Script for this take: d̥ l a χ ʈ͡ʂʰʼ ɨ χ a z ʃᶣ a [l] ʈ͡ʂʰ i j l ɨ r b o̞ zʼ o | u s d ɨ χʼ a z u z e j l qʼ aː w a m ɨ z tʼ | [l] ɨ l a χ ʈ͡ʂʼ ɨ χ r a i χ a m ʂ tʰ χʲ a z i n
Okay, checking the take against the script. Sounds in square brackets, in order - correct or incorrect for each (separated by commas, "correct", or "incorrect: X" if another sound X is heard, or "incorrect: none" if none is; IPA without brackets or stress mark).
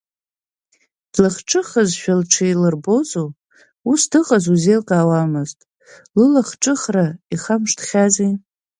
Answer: correct, correct